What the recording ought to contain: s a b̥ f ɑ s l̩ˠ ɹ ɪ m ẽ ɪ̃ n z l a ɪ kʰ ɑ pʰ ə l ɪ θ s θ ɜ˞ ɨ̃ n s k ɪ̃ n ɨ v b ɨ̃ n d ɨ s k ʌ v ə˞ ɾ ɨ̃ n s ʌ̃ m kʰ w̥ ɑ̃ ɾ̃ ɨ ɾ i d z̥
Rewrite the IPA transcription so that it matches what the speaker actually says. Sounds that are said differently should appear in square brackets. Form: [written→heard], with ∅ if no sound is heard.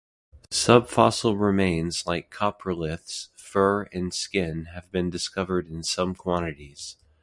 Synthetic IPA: s [a→ʌ] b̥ f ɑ s l̩ˠ ɹ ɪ m ẽ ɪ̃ n z l a ɪ kʰ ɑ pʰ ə l ɪ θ s [θ→f] ɜ˞ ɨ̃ n s k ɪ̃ n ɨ v b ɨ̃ n d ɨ s k ʌ v ə˞ ɾ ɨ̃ n s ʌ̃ m kʰ w̥ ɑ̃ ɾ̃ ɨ ɾ i [d→∅] z̥